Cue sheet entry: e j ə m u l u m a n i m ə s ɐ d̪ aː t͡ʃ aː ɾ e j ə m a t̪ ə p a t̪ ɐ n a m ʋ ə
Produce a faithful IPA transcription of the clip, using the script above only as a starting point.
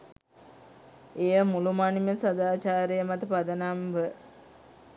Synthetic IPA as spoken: e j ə m u l u m a n i m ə s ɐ d̪ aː t͡ʃ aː ɾ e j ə m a t̪ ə p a d̪ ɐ n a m ʋ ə